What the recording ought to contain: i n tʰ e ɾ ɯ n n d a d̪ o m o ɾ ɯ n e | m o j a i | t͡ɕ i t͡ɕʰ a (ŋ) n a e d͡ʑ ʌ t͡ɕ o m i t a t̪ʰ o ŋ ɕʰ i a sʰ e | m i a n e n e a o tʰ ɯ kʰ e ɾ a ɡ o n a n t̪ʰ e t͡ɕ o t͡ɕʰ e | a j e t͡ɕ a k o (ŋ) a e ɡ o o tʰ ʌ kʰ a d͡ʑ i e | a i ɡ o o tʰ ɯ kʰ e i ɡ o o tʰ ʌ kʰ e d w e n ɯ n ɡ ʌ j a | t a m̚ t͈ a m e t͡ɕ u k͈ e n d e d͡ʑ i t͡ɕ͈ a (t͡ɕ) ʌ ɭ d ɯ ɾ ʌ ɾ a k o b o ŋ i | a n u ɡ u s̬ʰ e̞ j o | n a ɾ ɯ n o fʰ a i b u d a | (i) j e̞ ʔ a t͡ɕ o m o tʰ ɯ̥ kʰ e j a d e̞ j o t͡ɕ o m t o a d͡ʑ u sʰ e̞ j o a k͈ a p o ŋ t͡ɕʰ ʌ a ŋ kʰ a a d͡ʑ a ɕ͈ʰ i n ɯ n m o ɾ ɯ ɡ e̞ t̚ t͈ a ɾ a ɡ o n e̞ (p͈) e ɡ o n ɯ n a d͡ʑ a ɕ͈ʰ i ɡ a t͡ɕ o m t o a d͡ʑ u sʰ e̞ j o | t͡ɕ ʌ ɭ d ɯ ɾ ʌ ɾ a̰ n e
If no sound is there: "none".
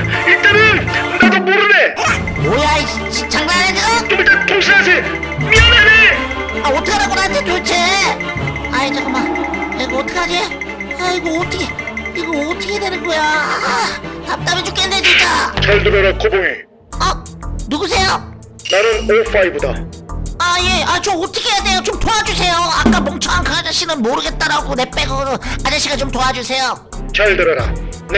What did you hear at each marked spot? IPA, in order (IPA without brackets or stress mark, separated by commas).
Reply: ŋ, m, t͡ɕ, a, p͈